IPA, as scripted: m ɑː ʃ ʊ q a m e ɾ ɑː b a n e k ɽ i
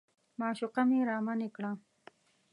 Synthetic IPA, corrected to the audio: m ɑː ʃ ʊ q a m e ɾ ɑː m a n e k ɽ a